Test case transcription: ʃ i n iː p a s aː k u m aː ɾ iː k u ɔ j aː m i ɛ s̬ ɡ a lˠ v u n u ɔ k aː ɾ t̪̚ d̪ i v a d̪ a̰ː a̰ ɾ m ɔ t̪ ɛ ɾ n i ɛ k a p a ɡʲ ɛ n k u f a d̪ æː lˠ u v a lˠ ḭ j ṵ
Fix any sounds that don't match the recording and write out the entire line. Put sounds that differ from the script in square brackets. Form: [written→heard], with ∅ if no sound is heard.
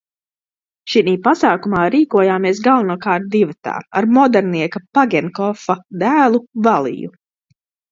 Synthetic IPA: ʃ i n iː p a s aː k u m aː ɾ iː k u ɔ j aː m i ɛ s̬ ɡ a lˠ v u n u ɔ k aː ɾ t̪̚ d̪ i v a [d̪→t̪] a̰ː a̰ ɾ m ɔ [t̪→d̪] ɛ ɾ n i ɛ k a p a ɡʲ ɛ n k [u→ɔ] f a d̪ æː lˠ u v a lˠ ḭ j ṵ

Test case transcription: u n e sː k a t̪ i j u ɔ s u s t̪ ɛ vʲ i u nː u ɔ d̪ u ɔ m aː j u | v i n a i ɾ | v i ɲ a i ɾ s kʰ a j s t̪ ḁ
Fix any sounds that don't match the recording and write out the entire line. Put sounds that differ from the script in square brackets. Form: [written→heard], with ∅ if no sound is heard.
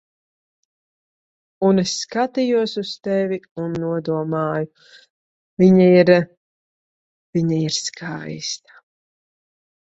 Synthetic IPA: u n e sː k a t̪ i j u ɔ s u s t̪ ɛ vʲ i u nː u ɔ d̪ u ɔ m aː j u | v i [n→ɲ] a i ɾ | v i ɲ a i ɾ s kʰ a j s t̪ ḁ

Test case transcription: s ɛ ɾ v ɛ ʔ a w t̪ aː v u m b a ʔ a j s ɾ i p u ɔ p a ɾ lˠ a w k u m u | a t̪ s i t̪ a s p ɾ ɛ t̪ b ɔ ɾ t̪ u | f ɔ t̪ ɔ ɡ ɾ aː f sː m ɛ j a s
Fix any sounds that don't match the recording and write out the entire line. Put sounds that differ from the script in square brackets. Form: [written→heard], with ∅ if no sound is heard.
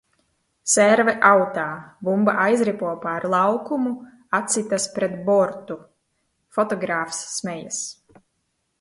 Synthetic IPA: s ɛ ɾ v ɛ ʔ a w t̪ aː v u m b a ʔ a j [s→z] ɾ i p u ɔ p a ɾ lˠ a w k u m u | a t̪ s i t̪ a s p ɾ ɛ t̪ b ɔ ɾ t̪ u | f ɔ t̪ ɔ ɡ ɾ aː f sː m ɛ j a s

